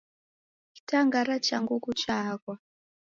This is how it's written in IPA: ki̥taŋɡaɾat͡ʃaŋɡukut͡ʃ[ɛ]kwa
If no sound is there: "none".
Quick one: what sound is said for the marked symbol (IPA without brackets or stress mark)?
a